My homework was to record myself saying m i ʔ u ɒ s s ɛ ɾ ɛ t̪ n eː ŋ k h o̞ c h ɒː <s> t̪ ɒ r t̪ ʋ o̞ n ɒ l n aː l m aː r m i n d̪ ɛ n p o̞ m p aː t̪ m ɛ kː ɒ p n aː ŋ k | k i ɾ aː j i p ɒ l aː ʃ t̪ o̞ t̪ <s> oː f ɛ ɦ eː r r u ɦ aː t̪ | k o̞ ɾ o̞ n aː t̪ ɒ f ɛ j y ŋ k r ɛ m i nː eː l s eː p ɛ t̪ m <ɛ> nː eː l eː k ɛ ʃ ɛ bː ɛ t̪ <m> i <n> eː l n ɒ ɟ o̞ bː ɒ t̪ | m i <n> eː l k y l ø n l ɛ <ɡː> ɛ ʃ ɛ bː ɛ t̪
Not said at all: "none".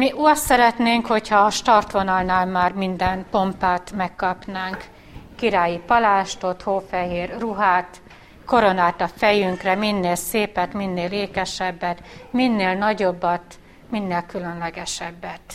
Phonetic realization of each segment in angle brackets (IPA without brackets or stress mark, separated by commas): ʃ, h, i, m, nː, nː, ɡ